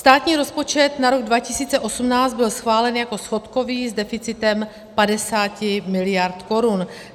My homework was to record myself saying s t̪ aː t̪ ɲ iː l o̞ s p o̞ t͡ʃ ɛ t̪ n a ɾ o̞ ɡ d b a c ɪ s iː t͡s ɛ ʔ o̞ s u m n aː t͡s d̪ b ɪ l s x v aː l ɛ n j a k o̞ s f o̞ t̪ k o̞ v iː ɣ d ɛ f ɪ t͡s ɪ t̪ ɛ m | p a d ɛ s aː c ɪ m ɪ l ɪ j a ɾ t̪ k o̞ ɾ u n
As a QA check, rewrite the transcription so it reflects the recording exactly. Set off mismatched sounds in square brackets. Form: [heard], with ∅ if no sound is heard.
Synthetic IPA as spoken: s t̪ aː t̪ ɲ iː [ɾ] o̞ s p o̞ t͡ʃ ɛ t̪ n a ɾ o̞ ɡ d [v] a c ɪ s iː t͡s ɛ ʔ o̞ s u m n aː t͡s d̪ b ɪ l s x v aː l ɛ n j a k o̞ s f o̞ t̪ k o̞ v iː [z] d ɛ f ɪ t͡s ɪ t̪ ɛ m | p a d ɛ s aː c ɪ m ɪ l ɪ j a ɾ t̪ k o̞ ɾ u n